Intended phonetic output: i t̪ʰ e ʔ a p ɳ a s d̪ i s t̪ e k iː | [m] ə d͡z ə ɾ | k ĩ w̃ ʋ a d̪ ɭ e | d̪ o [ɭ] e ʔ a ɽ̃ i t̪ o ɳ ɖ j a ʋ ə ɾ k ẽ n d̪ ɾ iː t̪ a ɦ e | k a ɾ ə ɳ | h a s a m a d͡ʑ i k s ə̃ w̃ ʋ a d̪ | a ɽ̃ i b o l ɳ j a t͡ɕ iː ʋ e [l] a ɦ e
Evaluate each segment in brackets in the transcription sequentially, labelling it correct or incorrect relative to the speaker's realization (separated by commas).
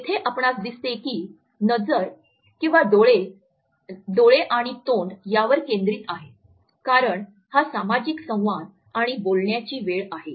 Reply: incorrect, correct, incorrect